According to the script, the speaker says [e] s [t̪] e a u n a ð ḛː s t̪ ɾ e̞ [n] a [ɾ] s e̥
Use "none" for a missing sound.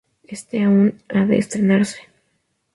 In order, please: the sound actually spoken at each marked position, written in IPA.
e, t̪, n, ɾ

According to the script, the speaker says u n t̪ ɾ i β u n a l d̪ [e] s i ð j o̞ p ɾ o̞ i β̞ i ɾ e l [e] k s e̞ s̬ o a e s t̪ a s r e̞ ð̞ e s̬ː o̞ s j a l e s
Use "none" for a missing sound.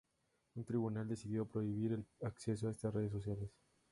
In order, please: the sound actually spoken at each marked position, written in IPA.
e, a

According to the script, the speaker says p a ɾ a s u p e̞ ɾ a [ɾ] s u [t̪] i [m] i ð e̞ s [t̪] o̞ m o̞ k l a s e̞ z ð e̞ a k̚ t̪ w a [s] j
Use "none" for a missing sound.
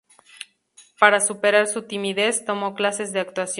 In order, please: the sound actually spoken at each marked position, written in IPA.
ɾ, t̪, m, t̪, s

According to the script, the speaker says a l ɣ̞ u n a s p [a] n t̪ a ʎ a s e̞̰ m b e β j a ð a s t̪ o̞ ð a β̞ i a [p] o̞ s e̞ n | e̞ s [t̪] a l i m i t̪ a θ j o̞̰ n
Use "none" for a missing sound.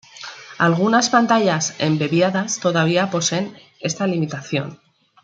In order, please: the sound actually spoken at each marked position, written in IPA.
a, p, t̪

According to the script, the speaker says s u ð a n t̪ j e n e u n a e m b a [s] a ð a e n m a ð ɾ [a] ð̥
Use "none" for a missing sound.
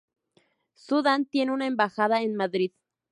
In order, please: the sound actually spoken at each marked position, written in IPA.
x, i

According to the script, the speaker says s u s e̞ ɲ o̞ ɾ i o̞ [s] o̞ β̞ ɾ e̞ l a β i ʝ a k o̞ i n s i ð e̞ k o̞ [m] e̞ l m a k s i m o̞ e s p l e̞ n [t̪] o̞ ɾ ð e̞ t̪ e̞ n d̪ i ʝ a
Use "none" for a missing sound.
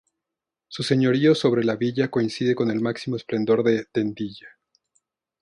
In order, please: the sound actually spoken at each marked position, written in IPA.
s, n, d̪

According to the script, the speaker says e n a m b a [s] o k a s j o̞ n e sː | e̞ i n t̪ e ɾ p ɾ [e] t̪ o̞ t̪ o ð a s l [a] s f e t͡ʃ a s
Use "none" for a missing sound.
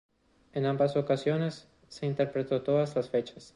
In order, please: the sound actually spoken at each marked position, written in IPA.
s, e, a

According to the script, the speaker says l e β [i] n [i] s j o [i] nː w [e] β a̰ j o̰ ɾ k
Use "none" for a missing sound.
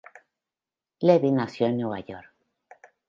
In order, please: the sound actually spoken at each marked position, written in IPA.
i, a, e, e

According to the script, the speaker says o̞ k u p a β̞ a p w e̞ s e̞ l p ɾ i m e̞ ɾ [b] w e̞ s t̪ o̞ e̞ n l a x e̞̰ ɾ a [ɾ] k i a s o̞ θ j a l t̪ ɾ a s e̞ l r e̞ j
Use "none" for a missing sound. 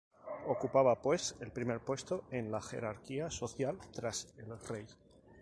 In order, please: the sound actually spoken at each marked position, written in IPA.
p, ɾ

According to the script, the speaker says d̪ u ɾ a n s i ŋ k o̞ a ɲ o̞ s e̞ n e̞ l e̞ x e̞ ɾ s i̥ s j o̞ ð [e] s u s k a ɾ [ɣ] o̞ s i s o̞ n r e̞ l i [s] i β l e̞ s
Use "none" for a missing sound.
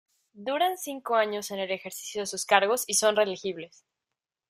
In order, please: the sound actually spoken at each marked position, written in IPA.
e, ɣ, x

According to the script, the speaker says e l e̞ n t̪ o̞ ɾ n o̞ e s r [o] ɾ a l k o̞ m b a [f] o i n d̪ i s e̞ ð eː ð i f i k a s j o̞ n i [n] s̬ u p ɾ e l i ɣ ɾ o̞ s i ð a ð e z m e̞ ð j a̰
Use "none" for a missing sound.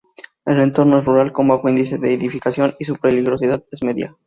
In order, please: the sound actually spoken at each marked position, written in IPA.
u, x, none

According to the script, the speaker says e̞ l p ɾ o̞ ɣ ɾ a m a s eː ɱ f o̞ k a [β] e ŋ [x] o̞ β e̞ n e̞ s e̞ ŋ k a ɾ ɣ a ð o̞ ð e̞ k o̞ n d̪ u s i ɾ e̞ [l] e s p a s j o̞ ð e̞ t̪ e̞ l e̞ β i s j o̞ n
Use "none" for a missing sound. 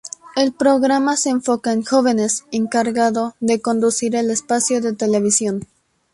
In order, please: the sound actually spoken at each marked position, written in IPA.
none, x, l

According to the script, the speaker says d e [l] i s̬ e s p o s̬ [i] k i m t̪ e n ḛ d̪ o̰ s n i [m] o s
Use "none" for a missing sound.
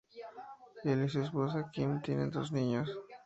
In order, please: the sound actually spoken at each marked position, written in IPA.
l, a, ɲ

